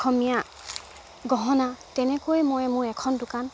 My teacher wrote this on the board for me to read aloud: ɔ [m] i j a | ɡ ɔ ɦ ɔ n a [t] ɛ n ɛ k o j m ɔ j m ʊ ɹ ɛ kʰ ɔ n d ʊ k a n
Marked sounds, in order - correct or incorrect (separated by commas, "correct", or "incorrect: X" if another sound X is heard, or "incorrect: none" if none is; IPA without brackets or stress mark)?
correct, correct